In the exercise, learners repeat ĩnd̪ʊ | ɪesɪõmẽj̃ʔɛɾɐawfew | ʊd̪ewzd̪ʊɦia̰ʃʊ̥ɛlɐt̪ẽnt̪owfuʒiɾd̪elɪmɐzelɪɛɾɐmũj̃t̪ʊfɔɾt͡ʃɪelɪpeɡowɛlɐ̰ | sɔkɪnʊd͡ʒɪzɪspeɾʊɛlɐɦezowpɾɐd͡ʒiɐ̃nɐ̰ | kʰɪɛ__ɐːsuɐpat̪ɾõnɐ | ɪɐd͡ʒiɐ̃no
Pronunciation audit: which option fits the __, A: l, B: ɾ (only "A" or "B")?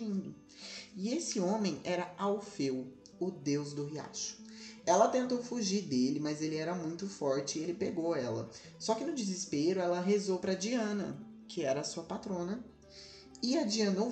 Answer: B